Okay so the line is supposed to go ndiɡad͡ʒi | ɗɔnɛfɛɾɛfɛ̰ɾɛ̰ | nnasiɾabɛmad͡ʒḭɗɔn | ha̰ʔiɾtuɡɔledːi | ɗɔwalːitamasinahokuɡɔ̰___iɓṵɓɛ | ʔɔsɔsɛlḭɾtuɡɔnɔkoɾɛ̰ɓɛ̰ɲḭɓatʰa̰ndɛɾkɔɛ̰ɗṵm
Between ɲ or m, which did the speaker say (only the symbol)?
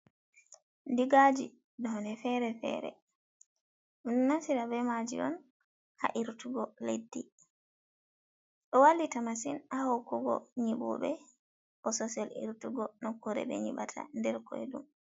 ɲ